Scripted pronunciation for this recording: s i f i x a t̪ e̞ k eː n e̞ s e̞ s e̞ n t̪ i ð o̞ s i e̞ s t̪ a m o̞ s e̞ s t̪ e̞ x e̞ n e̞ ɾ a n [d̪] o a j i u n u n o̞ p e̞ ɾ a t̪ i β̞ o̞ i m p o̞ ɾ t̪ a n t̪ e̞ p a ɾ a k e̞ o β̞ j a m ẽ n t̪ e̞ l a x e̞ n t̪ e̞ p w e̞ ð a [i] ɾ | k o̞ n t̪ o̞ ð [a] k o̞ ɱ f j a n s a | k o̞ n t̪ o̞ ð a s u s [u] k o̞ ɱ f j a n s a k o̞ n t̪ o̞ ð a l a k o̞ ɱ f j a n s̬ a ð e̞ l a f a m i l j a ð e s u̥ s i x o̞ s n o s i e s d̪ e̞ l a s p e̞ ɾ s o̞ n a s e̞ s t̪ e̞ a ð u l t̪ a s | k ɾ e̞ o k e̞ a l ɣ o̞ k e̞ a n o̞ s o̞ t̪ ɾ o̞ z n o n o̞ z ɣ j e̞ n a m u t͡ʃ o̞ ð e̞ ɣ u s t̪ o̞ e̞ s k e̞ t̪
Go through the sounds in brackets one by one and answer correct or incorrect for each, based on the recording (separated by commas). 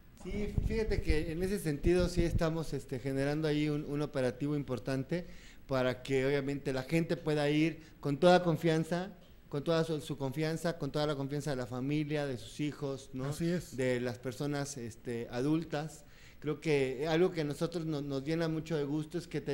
correct, correct, correct, correct